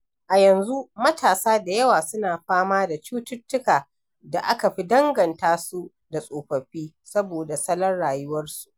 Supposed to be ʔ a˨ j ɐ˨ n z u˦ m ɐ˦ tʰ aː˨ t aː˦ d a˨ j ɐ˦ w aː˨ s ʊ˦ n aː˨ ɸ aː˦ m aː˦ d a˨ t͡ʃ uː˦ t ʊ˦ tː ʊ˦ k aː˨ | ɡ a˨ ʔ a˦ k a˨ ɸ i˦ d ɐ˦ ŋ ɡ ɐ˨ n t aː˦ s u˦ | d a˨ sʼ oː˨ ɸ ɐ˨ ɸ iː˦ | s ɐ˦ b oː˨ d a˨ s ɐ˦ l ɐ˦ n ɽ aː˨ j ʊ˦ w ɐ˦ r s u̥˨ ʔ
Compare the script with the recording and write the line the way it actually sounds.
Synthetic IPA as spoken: ʔ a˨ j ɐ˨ n z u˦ m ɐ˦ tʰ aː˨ s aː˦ d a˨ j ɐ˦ w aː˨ s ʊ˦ n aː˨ ɸ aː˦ m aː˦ d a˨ t͡ʃ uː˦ t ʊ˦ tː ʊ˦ k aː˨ | d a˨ ʔ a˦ k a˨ ɸ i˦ d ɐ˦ ŋ ɡ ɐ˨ n t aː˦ s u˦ | d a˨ sʼ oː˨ ɸ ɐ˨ ɸ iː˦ | s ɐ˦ b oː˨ d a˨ s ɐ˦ l ɐ˦ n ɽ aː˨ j ʊ˦ w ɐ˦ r s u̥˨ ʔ